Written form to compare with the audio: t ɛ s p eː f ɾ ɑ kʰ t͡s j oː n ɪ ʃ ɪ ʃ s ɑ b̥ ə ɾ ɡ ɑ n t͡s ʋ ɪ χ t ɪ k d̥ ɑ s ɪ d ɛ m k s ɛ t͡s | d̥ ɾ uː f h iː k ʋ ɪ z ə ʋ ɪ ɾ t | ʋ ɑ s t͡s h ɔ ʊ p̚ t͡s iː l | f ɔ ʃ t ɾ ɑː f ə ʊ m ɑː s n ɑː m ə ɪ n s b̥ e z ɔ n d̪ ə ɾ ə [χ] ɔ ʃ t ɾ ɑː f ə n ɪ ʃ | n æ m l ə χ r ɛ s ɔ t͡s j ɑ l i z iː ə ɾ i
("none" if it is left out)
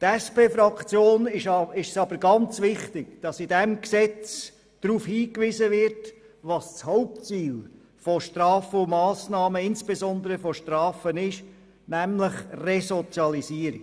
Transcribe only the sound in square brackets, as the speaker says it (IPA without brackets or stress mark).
f